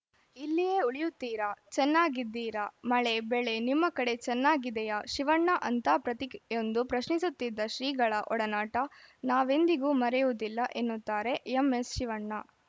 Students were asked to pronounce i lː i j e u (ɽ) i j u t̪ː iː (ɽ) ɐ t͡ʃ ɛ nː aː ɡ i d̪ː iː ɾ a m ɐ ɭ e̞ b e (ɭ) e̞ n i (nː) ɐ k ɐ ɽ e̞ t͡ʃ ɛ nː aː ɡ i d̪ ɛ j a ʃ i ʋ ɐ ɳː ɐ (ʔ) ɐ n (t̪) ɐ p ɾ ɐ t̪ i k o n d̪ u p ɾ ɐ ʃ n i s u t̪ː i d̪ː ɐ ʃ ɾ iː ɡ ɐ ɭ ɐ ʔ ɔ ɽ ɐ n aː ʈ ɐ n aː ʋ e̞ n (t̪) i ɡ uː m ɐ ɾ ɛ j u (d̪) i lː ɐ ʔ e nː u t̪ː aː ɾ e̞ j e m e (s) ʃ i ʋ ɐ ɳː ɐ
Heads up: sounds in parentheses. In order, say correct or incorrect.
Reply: incorrect: ɭ, incorrect: ɾ, correct, incorrect: mː, correct, correct, incorrect: d̪, correct, correct

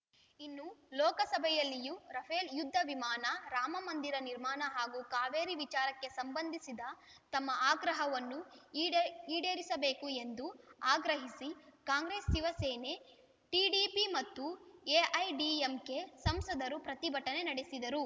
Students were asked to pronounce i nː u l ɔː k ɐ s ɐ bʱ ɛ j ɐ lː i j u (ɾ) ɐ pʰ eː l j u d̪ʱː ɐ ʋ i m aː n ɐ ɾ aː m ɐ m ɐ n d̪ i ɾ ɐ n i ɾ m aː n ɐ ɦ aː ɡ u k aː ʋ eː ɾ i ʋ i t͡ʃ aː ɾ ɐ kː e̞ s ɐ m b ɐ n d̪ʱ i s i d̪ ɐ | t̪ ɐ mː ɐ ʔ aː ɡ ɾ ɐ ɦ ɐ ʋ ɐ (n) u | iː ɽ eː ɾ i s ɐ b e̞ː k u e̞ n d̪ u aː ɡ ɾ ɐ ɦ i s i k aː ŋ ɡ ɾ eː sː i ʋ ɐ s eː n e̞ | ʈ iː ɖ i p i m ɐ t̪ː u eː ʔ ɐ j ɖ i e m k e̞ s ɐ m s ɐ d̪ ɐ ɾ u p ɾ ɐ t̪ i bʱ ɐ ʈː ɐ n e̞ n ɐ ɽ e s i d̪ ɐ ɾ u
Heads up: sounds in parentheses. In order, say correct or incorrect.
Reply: correct, incorrect: nː

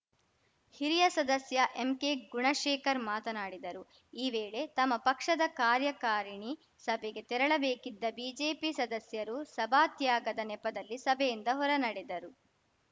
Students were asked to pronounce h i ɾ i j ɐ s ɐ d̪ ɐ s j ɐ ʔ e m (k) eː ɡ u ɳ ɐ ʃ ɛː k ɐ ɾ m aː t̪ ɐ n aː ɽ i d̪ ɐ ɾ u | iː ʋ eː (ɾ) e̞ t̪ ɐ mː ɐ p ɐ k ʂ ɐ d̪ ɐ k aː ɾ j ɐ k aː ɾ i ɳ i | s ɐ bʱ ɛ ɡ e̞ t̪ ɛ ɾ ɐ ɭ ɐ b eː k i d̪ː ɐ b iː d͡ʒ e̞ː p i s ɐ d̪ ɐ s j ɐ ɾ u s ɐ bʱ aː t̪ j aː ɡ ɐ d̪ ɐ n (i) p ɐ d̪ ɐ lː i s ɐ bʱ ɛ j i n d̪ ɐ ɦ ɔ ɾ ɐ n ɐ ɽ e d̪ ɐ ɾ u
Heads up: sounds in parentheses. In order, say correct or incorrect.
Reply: correct, incorrect: ɭ, incorrect: ɛ

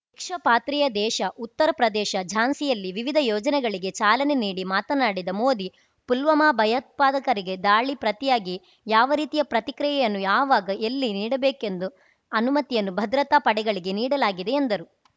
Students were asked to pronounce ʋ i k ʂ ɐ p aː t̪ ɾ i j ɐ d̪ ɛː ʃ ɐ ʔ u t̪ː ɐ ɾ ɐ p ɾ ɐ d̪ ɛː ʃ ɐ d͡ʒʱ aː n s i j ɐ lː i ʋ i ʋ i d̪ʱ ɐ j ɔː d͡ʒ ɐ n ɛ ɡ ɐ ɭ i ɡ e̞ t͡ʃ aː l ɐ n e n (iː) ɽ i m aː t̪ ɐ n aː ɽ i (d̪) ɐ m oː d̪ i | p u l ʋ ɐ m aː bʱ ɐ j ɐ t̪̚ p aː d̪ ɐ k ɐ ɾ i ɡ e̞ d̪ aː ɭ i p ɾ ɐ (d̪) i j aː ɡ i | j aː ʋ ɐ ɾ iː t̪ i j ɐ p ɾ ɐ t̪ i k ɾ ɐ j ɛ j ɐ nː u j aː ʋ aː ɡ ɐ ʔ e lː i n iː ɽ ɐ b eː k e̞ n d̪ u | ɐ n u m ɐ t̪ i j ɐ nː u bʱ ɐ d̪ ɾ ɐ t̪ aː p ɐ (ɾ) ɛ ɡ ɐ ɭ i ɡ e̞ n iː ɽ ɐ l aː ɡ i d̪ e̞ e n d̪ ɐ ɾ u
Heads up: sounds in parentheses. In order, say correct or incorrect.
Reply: correct, correct, incorrect: t̪, incorrect: ɽ

